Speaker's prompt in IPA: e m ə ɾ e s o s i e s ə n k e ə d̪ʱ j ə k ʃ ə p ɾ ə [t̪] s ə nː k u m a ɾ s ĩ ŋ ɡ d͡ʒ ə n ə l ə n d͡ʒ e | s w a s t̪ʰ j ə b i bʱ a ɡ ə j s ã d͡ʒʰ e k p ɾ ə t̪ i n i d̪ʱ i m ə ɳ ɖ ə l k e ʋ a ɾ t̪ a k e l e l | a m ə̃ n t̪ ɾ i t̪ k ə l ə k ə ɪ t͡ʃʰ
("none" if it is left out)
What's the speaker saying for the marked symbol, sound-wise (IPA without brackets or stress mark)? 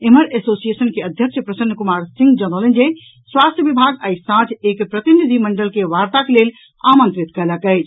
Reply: none